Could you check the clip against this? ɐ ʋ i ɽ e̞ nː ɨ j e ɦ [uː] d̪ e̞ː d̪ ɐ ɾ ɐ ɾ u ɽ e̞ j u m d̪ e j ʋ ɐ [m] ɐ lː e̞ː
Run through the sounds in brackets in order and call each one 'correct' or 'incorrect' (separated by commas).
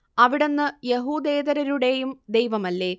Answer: correct, correct